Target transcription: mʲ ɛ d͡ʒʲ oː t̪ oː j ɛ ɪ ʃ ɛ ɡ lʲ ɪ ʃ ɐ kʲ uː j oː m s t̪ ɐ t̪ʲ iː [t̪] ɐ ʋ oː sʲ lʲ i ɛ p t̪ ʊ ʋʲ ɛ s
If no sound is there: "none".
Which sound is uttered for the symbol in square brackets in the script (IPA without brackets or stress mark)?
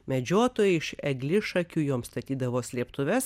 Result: d̪